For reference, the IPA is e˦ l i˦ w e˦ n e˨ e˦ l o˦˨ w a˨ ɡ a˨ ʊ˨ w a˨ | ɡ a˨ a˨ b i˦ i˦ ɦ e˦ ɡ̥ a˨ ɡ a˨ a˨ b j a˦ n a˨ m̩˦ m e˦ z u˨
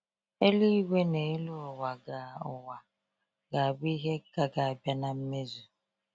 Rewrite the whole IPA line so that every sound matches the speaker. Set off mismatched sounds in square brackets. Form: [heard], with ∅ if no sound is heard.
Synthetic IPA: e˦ l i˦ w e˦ n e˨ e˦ l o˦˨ w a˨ ɡ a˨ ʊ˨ w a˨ | ɡ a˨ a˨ b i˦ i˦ ɦ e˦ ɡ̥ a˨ ɡ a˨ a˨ b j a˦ n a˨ m̩˦ m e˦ z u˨